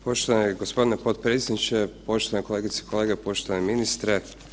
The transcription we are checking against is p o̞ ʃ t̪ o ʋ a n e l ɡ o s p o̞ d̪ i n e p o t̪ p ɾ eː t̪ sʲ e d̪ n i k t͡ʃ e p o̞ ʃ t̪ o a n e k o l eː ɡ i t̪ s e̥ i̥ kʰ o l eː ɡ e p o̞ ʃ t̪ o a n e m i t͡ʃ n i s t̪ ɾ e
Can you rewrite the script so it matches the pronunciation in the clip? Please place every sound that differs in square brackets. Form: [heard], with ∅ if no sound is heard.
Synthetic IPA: p o̞ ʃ t̪ o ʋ a n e [∅] ɡ o s p o̞ d̪ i n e p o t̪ p ɾ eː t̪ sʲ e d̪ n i [∅] t͡ʃ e p o̞ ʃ t̪ o a n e k o l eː ɡ i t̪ s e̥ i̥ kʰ o l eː ɡ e p o̞ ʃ t̪ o a n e m i [∅] n i s t̪ ɾ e